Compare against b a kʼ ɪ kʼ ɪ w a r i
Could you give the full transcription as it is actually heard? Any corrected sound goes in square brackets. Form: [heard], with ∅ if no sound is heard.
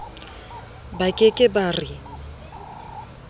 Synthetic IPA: b a kʼ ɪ kʼ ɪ [b] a r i

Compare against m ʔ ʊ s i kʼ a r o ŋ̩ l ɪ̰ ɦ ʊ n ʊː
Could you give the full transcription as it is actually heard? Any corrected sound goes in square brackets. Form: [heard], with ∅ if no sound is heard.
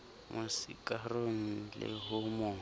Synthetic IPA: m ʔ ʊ s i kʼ a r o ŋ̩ l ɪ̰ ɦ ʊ [m] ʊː

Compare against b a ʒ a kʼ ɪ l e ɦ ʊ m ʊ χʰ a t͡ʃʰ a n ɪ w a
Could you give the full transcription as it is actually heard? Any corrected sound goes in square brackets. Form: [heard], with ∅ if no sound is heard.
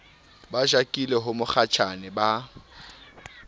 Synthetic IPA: b a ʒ a kʼ [i] l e ɦ ʊ m ʊ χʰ a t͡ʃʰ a n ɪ [b] a

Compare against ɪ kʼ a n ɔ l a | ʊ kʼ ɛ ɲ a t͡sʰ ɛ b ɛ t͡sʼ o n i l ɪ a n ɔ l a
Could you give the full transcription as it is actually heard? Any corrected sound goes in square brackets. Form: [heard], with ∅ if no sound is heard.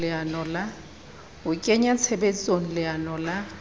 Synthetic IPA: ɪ [∅] a n ɔ l a | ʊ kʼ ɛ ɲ a t͡sʰ ɛ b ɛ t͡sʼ o n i l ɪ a n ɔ l a

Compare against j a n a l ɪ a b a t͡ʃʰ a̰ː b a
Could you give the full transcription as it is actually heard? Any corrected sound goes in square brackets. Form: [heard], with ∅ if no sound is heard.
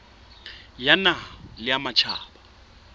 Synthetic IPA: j a n a l ɪ a [m] a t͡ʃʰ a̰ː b a

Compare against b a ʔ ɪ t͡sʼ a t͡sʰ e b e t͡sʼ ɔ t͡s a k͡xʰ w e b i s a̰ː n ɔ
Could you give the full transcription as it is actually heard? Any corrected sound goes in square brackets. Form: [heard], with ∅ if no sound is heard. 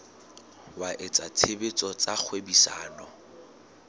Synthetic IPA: [w] a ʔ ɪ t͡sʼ a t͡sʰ e b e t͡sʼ ɔ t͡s a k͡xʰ w e b i s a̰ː n ɔ

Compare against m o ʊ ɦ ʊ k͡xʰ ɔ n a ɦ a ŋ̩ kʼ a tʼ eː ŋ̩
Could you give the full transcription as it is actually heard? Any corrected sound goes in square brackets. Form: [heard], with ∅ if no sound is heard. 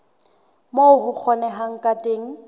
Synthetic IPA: m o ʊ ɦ ʊ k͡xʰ ɔ n [ɛ] ɦ a ŋ̩ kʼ a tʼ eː ŋ̩

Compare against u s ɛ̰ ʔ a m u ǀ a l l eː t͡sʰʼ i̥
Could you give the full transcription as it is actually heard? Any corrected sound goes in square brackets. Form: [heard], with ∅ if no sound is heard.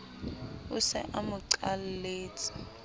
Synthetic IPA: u s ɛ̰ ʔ a m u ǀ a l l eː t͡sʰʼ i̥

